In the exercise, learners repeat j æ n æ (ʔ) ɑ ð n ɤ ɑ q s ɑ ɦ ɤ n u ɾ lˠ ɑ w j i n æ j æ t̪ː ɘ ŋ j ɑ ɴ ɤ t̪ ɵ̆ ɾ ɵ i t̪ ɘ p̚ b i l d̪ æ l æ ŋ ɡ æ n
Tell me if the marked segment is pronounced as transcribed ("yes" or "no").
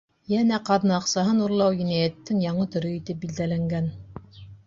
no